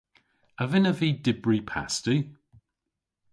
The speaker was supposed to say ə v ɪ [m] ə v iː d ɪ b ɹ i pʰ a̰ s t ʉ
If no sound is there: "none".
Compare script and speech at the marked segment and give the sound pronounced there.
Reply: n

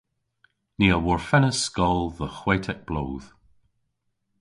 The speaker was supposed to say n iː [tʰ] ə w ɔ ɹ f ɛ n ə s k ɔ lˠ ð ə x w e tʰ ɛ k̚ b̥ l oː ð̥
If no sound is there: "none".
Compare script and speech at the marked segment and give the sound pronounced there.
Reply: none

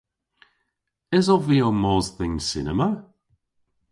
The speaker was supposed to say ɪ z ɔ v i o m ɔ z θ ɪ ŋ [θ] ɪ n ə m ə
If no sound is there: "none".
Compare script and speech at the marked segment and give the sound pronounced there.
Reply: s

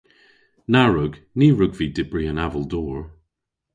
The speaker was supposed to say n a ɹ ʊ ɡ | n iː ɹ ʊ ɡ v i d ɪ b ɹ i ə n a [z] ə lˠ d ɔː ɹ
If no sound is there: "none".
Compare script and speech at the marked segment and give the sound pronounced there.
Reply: v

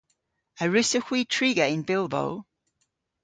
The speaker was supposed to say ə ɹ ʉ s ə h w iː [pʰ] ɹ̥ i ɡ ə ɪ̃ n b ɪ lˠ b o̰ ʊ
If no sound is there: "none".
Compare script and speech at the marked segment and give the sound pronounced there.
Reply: tʰ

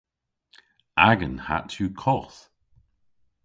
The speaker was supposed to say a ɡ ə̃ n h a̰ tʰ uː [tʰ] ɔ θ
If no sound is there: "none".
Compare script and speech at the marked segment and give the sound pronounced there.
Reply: kʰ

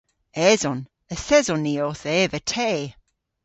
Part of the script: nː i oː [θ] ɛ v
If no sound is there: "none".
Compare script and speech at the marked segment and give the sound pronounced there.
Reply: θ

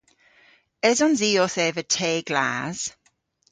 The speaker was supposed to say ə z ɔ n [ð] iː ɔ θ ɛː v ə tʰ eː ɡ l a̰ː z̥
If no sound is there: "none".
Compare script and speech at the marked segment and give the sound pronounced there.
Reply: z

